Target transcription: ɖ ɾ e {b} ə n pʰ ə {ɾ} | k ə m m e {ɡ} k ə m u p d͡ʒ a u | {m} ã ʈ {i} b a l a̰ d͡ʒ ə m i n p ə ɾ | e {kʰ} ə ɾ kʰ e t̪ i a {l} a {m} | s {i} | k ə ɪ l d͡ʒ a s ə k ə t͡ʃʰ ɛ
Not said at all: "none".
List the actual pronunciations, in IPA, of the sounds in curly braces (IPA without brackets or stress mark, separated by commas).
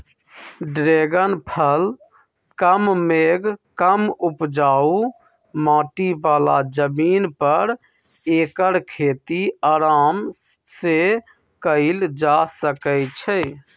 ɡ, l, ɡ, m, i, k, ɾ, m, e